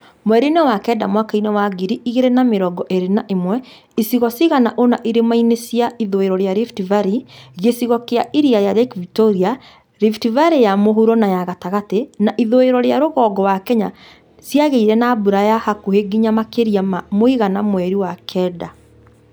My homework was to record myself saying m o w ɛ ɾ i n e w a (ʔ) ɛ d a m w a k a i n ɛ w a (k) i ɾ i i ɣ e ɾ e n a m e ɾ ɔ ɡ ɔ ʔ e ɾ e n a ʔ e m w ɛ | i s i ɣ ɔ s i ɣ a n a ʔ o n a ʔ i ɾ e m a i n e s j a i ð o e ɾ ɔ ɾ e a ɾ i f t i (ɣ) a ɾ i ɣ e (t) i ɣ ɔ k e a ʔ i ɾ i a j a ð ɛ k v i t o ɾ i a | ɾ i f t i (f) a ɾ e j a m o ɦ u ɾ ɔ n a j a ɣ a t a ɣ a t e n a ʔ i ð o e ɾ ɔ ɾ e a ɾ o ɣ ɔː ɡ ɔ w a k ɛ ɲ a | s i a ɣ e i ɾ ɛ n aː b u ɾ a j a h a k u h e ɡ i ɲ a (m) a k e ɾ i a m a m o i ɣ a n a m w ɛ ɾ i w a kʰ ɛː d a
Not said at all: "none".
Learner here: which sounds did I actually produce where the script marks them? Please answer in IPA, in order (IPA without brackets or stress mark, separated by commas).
k, ɡ, v, s, v, m